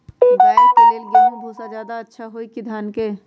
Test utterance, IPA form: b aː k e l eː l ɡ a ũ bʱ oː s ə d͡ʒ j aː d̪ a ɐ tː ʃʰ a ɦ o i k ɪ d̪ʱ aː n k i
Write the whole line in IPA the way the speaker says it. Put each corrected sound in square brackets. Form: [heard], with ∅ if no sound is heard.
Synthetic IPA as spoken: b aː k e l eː l ɡ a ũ bʱ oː s [a] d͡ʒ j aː d̪ a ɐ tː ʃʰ a ɦ o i k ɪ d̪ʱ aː n k [e]